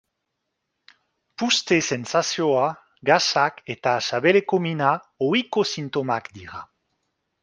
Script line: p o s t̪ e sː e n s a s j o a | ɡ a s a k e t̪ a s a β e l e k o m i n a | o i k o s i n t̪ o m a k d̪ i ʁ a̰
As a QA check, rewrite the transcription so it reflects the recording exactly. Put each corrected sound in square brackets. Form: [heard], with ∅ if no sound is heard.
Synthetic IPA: p [u] s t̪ e [s] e n s a s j o a | ɡ a s a k e t̪ a s a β e l e k o m i n a | o i k o s i n t̪ o m a k d̪ i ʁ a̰